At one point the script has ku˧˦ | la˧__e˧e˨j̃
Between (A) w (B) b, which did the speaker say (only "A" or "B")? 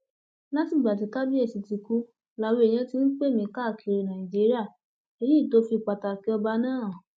A